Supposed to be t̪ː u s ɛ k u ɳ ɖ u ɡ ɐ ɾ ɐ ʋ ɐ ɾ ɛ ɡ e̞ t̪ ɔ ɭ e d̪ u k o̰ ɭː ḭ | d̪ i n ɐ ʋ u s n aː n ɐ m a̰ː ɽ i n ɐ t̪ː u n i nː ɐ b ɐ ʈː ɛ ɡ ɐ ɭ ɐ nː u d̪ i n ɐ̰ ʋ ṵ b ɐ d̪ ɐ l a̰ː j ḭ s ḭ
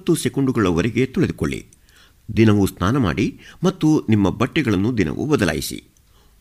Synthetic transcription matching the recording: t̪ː u s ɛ k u ɳ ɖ u ɡ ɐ ɭ ɐ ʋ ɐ ɾ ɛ ɡ e̞ t̪ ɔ ɭ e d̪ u k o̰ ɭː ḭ | d̪ i n ɐ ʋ u s n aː n ɐ m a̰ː ɽ i m ɐ t̪ː u n i mː ɐ b ɐ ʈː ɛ ɡ ɐ ɭ ɐ nː u d̪ i n ɐ̰ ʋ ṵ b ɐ d̪ ɐ l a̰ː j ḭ s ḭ